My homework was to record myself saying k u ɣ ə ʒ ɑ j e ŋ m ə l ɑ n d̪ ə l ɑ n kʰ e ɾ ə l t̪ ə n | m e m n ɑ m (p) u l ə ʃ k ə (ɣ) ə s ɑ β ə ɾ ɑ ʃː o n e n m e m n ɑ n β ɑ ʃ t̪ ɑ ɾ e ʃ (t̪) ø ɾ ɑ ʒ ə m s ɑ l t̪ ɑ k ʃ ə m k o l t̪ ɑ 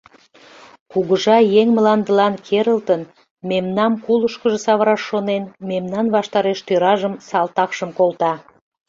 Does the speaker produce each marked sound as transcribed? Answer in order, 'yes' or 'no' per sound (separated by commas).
no, no, yes